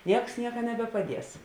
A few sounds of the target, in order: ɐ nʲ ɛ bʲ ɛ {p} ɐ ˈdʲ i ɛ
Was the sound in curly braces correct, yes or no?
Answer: yes